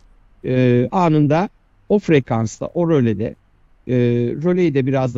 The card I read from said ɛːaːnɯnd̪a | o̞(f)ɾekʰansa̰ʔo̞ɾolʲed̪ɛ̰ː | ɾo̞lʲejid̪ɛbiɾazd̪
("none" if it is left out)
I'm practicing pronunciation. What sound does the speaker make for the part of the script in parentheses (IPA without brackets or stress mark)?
f